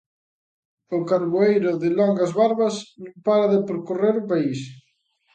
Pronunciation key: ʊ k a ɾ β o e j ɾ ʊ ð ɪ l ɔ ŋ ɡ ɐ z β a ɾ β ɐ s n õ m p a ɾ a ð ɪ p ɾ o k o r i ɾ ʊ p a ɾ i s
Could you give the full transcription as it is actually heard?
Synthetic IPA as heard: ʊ k a ɾ β o e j ɾ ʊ ð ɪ l ɔ ŋ ɡ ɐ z β a ɾ β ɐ s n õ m p a ɾ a ð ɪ p ɾ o k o r e ɾ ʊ p a i s

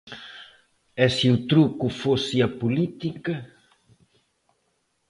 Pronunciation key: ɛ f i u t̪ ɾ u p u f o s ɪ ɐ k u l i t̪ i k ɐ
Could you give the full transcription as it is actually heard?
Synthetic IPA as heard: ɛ s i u t̪ ɾ u k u f o s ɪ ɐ p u l i t̪ i k ɐ

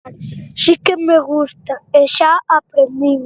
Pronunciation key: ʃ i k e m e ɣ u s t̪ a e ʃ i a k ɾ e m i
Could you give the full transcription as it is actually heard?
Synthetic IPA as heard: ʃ i k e m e ɣ u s t̪ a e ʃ a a p ɾ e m i

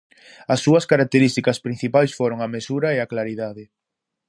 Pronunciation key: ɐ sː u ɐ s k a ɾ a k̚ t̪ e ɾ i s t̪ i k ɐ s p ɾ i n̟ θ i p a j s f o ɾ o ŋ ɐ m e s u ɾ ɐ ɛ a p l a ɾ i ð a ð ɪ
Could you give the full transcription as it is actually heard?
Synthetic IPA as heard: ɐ sː u ɐ s k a ɾ a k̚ t̪ e ɾ i s t̪ i k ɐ s p ɾ i n̟ θ i p a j s f o ɾ o ŋ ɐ m e s u ɾ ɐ e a k l a ɾ i ð a ð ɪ

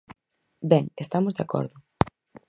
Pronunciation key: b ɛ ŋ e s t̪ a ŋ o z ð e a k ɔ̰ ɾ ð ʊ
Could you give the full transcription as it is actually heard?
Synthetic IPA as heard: b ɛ ŋ e s t̪ a m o z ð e a k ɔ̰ ɾ ð ʊ

